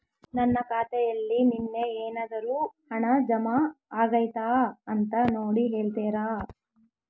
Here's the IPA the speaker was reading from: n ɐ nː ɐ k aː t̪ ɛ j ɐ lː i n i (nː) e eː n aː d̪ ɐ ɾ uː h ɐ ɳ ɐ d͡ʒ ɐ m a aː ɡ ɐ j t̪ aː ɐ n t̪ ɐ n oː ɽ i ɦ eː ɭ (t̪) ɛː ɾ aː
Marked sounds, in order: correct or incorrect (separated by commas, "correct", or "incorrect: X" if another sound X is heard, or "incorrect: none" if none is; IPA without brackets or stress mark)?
correct, correct